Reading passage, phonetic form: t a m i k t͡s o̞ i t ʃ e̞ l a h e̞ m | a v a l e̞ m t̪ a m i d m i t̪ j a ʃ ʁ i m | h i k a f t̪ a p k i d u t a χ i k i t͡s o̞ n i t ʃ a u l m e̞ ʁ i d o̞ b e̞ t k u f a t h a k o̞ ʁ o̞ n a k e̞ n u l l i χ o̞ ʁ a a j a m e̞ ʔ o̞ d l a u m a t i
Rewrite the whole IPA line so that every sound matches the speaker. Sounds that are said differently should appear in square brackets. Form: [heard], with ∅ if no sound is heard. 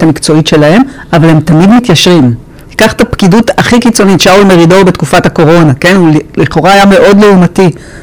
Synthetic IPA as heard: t a m i k t͡s o̞ i t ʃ e̞ l a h e̞ m | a v a l e̞ m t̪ a m i d m i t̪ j a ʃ ʁ i m | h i k a [χ] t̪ a p k i d u t a χ i k i t͡s o̞ n i t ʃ a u l m e̞ ʁ i d o̞ b e̞ t k u f a t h a k o̞ ʁ o̞ n a k e̞ n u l l i χ o̞ ʁ a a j a m e̞ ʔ o̞ d l [e] u m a t i